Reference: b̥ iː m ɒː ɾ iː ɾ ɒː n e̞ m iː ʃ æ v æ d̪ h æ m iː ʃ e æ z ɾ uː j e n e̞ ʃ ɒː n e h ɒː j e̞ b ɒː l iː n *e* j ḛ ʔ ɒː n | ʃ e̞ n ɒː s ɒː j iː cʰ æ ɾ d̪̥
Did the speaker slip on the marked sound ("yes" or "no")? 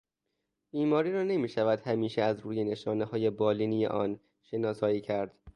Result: yes